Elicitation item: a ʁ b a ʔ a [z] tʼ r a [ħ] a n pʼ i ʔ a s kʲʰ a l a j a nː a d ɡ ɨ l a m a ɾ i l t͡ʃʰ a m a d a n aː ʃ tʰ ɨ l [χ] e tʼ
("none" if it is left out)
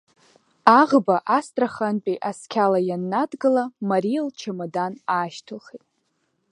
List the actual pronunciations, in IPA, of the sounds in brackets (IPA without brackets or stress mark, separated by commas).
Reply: s, χ, χ